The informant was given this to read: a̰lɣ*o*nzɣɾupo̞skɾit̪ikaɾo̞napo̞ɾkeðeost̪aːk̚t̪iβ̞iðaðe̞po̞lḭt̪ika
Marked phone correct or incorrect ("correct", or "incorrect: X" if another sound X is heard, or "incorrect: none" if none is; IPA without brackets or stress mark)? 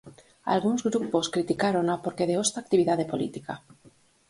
incorrect: u